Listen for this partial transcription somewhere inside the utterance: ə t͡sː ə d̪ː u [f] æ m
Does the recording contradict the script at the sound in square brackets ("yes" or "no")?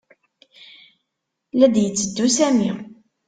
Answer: yes